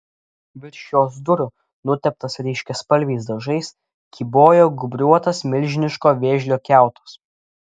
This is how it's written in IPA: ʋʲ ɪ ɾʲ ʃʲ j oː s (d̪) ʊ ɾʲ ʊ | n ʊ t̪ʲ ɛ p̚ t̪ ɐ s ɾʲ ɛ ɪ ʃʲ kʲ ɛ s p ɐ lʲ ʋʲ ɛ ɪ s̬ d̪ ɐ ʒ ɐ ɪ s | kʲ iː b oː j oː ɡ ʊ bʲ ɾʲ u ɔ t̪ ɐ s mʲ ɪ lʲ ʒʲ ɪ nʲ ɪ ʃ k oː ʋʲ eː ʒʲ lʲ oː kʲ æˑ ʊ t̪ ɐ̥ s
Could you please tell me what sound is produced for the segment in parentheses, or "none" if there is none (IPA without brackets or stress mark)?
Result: d̪